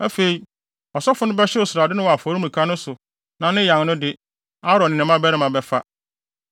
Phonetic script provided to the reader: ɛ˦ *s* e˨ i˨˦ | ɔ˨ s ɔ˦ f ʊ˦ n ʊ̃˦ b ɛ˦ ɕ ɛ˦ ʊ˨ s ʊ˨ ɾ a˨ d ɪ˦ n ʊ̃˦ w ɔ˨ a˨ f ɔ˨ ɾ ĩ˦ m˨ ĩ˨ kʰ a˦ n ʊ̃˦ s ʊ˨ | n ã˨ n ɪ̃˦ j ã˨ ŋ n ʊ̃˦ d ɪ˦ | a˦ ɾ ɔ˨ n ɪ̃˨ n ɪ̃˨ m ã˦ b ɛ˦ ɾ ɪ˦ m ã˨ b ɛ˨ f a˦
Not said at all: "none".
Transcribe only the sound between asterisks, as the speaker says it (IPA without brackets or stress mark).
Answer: f